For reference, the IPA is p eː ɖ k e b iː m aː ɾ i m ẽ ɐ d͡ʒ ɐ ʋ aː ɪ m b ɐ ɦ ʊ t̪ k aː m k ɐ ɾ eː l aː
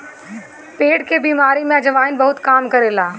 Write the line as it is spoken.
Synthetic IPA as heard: p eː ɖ k e b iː m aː ɾ i m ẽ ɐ d͡ʒ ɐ ʋ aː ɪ n b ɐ ɦ ʊ t̪ k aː m k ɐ ɾ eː l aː

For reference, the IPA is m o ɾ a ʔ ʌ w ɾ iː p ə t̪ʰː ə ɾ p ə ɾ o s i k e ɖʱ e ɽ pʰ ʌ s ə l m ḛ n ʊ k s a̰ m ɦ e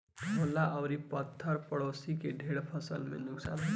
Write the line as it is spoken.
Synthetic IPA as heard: m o l a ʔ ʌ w ɾ i p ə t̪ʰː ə ɾ p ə ɽ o s i k e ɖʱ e ɽ pʰ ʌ s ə l m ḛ n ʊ k s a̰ n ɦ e

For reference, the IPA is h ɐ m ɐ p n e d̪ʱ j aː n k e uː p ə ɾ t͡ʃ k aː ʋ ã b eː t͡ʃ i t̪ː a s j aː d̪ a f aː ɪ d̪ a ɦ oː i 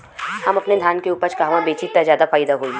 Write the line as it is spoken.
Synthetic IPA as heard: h ɐ m ɐ p n e d̪ʱ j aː n k e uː p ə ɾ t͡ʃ k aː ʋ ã b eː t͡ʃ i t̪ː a z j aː d̪ a f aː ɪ d̪ a ɦ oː i

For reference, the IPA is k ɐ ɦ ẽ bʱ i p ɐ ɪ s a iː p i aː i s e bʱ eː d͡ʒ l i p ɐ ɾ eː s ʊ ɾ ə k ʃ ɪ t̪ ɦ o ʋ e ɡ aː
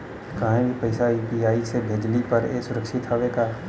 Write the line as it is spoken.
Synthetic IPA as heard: k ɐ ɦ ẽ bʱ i p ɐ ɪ s a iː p i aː i s e bʱ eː d͡ʒ l i p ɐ ɾ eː s ʊ ɾ ə k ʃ ɪ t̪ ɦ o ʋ e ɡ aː

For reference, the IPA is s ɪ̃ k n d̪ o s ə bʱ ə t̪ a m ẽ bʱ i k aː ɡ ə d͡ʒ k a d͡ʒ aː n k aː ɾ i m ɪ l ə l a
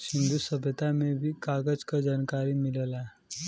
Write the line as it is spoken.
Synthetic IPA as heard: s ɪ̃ n d̪ u s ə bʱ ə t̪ a m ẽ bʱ i k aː ɡ ə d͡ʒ k a d͡ʒ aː n k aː ɾ i m ɪ l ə l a

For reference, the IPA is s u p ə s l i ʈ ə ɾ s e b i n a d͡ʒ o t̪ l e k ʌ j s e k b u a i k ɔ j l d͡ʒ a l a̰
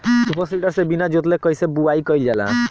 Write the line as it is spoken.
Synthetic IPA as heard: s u p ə s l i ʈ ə ɾ s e b i n a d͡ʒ o t̪ l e k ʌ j s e b u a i k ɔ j l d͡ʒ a l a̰

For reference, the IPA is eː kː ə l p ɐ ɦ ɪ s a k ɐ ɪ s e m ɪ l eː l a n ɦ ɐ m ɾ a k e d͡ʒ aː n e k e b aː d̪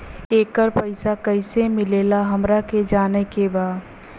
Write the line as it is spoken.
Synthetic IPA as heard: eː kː ə ɾ p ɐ ɪ s a k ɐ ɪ s e m ɪ l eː l a ɦ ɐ m ɾ a k e d͡ʒ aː n e k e b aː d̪

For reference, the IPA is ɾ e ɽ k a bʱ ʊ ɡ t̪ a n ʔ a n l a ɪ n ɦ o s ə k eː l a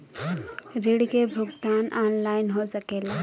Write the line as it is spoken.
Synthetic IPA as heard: ɾ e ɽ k e bʱ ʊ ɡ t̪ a n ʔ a n l a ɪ n ɦ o s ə k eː l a

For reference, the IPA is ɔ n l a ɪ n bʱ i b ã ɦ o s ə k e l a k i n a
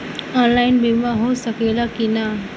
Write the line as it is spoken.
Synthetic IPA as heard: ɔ n l a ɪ n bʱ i m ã ɦ o s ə k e l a k i n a

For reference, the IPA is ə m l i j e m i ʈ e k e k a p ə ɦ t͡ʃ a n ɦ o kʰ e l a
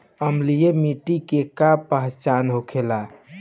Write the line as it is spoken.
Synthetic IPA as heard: ə m l i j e m i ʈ i k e k a p ə ɦ t͡ʃ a n ɦ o kʰ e l a

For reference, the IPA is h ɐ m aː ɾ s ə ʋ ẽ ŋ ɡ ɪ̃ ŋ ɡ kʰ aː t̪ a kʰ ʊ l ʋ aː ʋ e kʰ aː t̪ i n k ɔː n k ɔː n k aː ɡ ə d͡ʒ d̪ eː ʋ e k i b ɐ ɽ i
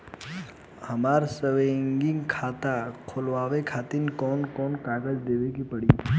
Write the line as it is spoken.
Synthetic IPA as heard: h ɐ m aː ɾ s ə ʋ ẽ ŋ ɡ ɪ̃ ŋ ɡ kʰ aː t̪ a kʰ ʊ l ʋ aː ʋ e kʰ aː t̪ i n k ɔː n k ɔː n k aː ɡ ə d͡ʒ d̪ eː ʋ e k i p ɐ ɽ i

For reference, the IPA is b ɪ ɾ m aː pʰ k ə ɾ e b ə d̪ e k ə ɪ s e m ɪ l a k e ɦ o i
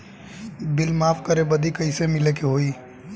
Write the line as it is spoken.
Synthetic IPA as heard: b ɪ l m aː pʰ k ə ɾ e b ə d̪ i k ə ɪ s e m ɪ l e k e ɦ o i

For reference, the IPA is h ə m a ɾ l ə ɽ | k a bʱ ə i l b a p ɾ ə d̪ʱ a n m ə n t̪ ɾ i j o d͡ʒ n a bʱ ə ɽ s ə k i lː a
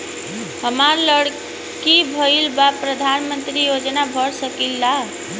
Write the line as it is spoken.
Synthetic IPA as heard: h ə m a ɾ l ə ɽ | k i bʱ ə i l b a p ɾ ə d̪ʱ a n m ə n t̪ ɾ i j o d͡ʒ n a bʱ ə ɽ s ə k i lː a

